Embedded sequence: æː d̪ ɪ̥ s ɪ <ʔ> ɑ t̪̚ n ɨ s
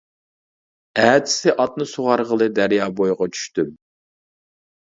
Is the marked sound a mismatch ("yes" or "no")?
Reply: no